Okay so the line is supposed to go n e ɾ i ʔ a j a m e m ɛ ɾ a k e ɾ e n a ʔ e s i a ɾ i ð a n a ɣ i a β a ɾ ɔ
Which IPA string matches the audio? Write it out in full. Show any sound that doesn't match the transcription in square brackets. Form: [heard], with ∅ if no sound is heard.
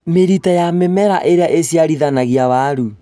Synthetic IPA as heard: [m] e ɾ i [t] a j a m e m ɛ ɾ a [ʔ] e ɾ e [∅] a ʔ e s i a ɾ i ð a n a ɣ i a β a ɾ [u]